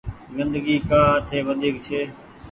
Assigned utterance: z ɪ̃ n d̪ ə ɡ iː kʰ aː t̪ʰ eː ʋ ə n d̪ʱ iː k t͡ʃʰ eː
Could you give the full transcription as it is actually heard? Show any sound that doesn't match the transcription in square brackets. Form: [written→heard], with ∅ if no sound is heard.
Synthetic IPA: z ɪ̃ n d̪ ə ɡ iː [kʰ→k] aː t̪ʰ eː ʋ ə n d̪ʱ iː k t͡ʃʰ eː